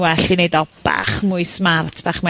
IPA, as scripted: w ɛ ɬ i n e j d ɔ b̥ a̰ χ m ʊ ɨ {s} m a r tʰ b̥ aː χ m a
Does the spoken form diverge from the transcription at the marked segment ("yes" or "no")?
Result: no